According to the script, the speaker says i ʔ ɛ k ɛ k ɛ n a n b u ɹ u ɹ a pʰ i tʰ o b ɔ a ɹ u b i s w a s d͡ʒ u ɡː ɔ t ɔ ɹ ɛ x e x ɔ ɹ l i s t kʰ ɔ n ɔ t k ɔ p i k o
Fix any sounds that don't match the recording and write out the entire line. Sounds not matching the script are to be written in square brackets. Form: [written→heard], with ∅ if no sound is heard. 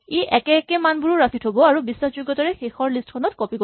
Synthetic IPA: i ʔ ɛ k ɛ k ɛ [n→m] a n b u ɹ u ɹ a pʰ i tʰ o b ɔ a ɹ u b i s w a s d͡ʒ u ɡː ɔ t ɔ ɹ ɛ x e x ɔ ɹ l i s t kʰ ɔ n ɔ t k ɔ p i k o